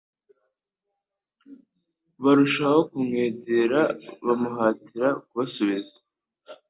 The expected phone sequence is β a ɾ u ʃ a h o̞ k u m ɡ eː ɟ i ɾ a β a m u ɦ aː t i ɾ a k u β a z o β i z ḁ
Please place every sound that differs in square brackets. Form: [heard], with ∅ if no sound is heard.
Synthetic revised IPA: β a ɾ u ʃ a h o̞ k u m [ŋ] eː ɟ [e] ɾ a β a m u ɦ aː t i ɾ a k u β a [s] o β i z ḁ